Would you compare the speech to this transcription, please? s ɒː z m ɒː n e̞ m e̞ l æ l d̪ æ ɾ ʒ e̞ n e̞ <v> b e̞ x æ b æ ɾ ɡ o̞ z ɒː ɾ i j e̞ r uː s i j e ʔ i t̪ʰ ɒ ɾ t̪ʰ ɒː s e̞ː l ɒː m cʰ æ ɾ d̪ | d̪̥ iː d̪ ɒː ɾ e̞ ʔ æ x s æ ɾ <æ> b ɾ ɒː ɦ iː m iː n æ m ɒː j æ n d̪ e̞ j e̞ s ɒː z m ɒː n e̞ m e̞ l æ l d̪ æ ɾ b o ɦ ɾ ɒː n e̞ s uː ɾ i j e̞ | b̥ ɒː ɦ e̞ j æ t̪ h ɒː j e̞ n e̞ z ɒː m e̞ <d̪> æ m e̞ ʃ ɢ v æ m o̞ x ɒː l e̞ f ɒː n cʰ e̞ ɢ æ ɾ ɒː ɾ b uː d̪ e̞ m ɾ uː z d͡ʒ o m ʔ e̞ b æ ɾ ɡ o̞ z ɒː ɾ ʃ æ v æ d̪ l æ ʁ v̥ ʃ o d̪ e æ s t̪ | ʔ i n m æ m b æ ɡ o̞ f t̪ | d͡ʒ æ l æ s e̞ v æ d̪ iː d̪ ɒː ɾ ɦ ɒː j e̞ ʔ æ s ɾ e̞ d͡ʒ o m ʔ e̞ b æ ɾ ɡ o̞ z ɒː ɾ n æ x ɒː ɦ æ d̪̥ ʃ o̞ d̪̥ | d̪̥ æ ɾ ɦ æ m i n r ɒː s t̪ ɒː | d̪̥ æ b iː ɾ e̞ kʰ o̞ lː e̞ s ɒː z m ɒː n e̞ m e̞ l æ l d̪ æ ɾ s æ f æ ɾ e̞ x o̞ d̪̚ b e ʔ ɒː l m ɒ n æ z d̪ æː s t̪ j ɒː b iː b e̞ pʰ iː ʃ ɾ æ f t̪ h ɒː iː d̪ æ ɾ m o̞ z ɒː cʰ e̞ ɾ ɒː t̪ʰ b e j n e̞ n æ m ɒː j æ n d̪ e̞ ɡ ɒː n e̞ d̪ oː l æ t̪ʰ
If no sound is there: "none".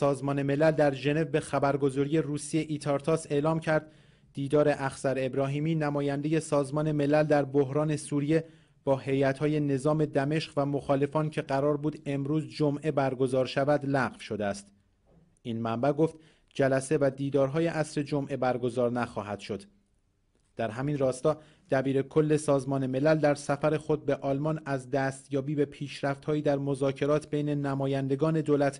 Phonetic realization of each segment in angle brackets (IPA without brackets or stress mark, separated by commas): v, e, d̪